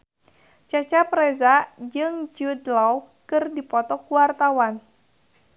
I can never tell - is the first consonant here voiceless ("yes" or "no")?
yes